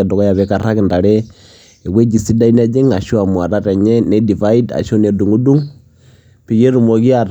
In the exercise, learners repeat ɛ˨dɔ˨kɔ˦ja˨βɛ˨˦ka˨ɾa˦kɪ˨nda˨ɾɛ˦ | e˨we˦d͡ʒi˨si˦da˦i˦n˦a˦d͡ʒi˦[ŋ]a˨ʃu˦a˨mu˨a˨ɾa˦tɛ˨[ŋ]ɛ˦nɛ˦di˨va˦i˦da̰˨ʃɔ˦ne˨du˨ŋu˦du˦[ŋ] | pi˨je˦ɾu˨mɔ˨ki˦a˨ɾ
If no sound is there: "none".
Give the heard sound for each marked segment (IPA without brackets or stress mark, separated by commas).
ŋ, ɲ, ŋ